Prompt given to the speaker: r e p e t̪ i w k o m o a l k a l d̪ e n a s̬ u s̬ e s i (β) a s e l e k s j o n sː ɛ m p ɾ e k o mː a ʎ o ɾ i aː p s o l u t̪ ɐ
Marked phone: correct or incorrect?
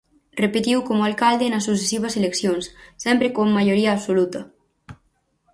correct